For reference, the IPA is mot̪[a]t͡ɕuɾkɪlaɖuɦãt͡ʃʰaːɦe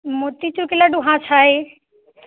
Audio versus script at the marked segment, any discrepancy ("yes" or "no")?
yes